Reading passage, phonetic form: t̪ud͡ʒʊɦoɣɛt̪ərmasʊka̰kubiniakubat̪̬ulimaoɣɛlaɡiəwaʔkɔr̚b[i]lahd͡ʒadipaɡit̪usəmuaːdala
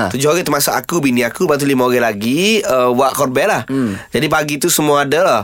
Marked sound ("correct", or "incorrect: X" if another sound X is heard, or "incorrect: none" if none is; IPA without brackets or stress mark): incorrect: ɛ